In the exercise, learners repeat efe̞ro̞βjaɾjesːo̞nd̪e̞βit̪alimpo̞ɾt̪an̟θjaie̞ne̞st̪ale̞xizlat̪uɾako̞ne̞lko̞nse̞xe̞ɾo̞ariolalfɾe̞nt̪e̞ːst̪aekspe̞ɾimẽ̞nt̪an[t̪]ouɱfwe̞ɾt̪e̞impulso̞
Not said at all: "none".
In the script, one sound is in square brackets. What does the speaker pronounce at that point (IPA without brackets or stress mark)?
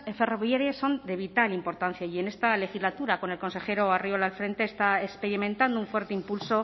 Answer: d̪